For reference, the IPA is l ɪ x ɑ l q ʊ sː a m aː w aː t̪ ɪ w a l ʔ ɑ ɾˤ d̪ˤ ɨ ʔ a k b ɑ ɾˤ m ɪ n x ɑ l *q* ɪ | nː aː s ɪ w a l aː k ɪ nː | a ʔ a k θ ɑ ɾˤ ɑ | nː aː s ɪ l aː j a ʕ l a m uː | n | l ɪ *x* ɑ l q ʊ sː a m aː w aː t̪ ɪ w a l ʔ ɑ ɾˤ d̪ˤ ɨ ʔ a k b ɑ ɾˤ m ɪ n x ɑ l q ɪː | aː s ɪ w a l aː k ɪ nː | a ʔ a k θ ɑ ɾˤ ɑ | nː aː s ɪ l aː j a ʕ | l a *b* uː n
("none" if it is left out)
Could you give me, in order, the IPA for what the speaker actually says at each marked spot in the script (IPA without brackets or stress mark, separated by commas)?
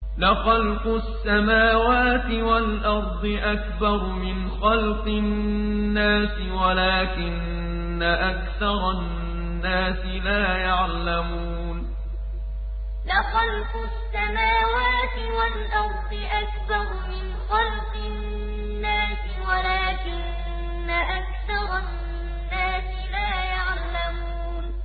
q, x, m